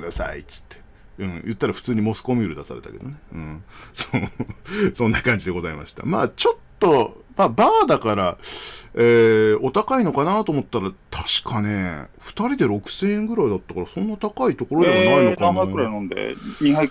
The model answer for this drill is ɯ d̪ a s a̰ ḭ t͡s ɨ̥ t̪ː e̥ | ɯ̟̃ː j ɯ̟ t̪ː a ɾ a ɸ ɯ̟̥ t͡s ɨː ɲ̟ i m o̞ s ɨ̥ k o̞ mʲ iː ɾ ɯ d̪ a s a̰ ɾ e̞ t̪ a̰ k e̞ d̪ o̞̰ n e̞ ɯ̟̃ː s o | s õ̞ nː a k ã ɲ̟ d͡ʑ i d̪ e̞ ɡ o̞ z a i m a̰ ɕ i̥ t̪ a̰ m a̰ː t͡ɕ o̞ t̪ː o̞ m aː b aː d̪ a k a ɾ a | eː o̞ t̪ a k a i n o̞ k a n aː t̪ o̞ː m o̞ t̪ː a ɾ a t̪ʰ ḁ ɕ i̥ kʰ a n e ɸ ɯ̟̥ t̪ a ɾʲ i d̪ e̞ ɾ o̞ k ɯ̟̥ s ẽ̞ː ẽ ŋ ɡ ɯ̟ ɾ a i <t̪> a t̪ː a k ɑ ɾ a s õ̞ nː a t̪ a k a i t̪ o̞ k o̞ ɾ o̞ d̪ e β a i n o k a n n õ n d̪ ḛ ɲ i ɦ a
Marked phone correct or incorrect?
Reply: incorrect